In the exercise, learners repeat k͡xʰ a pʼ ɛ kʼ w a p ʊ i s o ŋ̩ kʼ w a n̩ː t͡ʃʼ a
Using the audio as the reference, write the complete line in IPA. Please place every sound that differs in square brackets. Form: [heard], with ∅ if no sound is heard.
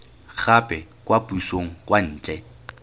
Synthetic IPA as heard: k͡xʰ a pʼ ɛ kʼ w a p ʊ i s o ŋ̩ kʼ w a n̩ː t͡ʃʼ [ɛ]